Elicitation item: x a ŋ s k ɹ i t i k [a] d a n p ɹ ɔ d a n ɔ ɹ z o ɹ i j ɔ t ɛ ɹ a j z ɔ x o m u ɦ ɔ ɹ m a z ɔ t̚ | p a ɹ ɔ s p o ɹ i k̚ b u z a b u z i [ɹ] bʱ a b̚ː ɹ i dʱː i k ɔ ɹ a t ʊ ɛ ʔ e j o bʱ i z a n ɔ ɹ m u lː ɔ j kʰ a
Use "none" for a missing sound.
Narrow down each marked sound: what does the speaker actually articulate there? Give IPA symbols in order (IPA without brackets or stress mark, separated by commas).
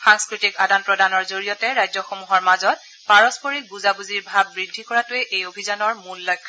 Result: a, ɹ